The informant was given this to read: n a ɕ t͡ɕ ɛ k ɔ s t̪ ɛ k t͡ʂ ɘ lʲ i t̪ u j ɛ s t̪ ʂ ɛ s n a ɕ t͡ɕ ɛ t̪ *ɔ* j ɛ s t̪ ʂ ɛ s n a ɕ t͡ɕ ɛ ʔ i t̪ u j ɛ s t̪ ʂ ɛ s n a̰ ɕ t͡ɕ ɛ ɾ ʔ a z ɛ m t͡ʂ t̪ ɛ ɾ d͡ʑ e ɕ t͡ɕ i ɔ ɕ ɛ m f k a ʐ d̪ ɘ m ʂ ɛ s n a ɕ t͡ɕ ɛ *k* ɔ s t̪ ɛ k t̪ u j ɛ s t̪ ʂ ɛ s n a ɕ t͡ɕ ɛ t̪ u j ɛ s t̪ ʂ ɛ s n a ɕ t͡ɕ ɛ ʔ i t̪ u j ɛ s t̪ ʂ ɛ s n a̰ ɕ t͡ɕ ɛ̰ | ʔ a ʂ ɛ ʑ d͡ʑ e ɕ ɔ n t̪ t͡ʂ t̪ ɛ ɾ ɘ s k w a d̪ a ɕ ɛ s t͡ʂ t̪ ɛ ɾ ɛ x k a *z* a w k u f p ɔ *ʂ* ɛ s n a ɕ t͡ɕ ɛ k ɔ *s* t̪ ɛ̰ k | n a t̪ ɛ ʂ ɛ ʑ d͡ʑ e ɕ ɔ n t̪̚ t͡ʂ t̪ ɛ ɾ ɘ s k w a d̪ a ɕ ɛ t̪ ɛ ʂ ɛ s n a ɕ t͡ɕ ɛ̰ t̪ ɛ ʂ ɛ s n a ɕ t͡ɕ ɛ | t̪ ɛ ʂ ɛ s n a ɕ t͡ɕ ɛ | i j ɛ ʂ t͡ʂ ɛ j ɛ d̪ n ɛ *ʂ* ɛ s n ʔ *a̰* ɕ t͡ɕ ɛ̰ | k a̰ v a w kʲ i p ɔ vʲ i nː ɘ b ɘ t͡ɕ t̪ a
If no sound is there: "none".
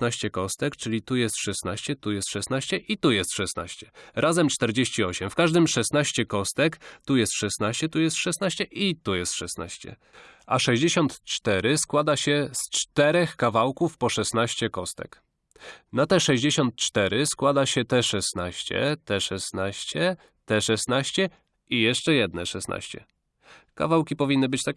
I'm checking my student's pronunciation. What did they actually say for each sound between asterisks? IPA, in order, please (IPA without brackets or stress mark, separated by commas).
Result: u, k, v, ʂ, s, ʂ, a̰